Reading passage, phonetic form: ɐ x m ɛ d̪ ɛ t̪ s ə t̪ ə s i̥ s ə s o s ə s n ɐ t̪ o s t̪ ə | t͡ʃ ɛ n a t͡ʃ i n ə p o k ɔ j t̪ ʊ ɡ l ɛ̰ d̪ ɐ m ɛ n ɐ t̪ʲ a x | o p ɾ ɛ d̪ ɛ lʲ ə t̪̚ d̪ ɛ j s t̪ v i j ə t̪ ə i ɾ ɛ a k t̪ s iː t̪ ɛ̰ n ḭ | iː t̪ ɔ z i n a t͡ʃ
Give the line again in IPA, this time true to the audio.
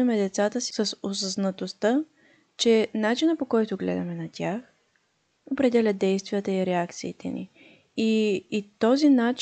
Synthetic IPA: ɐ m ɛ d̪ ɛ t̪ s a t̪ ə s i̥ s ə s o s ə z n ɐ t̪ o s t̪ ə | t͡ʃ ɛ n a t͡ʃ i n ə p o k ɔ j t̪ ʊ ɡ l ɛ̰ d̪ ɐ m ɛ n ɐ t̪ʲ a x | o p ɾ ɛ d̪ ɛ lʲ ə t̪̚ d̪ ɛ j s t̪ v i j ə t̪ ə i ɾ ɛ a k t̪ s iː t̪ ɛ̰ n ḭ | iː t̪ ɔ z i n a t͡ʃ